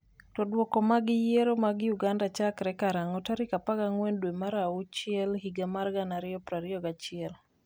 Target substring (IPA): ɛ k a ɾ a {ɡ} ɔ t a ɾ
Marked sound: incorrect: ŋ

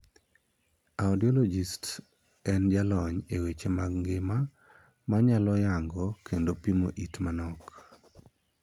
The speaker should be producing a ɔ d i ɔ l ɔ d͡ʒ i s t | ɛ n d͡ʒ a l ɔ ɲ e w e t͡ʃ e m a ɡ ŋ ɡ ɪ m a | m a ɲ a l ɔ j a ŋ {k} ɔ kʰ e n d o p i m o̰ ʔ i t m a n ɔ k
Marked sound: incorrect: ɡ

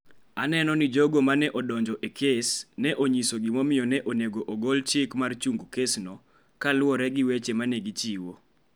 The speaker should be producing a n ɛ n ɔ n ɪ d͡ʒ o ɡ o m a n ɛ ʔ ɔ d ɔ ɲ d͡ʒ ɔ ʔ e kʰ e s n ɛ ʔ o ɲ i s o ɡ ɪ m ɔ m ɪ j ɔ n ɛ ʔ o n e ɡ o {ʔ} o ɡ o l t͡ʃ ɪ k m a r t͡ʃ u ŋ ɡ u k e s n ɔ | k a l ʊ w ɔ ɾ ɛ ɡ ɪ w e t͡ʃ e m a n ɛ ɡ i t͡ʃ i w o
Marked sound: correct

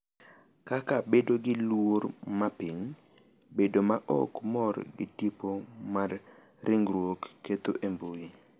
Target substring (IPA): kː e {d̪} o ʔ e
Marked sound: incorrect: t̪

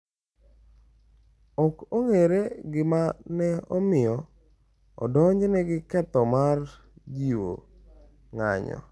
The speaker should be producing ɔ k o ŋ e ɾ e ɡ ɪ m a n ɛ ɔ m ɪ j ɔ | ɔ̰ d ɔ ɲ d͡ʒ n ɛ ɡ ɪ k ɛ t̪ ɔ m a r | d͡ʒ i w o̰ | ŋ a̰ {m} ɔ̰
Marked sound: incorrect: ɲ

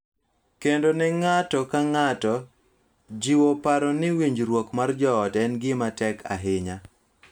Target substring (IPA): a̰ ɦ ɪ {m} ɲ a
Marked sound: incorrect: none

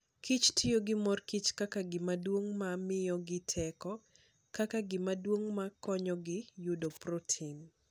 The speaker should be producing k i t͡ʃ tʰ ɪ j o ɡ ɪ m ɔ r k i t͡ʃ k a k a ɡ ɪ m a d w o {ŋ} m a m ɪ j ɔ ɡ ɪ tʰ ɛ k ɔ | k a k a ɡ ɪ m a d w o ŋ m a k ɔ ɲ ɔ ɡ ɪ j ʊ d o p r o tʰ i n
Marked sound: correct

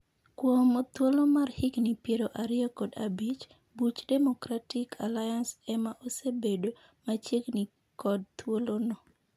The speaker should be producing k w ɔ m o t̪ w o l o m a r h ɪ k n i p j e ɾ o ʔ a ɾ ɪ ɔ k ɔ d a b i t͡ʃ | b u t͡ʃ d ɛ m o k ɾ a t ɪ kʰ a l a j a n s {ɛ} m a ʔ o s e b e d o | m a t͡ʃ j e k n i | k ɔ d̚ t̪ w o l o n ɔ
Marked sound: correct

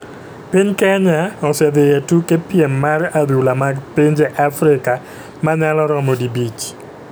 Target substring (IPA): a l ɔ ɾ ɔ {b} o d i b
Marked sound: incorrect: m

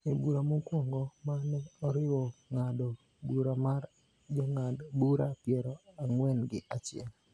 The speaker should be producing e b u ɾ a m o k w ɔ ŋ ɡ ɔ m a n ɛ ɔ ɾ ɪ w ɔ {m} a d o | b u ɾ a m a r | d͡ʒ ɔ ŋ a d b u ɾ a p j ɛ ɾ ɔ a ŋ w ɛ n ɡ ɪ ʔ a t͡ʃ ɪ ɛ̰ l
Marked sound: incorrect: ŋ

